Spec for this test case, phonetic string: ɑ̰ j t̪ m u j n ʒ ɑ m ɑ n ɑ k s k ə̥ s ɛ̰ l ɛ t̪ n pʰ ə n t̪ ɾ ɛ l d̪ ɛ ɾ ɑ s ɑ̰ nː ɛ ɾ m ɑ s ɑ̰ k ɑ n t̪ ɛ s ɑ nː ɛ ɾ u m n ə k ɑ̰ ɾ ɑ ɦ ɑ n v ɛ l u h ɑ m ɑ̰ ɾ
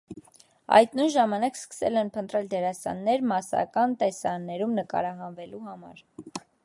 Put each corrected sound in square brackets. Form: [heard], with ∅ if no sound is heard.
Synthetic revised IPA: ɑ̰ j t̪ [n] u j n ʒ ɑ m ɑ n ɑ k s k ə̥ s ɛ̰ l ɛ [∅] n pʰ ə n t̪ ɾ ɛ l d̪ ɛ ɾ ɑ s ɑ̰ nː ɛ ɾ m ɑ s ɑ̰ k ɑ n t̪ ɛ s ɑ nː ɛ ɾ u m n ə k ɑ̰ ɾ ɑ ɦ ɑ n v ɛ l u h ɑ m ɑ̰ ɾ